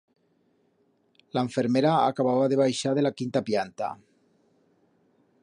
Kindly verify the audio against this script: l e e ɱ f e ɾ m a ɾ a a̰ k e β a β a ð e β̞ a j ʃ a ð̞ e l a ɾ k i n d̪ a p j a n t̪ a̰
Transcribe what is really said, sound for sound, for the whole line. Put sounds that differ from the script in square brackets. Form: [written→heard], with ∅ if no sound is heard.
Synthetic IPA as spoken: l [e→a] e ɱ f e ɾ m [a→e] ɾ a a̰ k [e→a] β a β a ð e β̞ a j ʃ a ð̞ e l a [ɾ→∅] k i n [d̪→t̪] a p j a n t̪ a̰